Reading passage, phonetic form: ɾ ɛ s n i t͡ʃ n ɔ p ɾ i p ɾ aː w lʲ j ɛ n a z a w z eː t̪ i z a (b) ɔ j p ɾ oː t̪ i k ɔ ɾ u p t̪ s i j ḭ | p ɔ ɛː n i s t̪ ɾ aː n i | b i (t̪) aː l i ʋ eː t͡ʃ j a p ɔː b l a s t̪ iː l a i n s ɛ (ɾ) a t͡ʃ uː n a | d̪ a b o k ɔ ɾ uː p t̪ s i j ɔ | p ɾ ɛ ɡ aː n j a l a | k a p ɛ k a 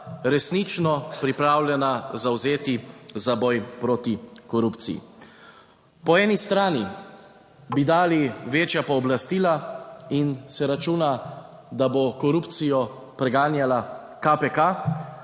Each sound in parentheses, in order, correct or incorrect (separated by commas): correct, incorrect, correct